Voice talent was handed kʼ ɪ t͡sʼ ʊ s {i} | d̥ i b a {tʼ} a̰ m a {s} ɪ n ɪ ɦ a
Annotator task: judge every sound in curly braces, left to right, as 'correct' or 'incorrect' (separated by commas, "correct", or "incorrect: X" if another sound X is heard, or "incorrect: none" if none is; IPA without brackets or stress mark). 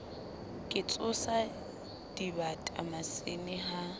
incorrect: a, correct, correct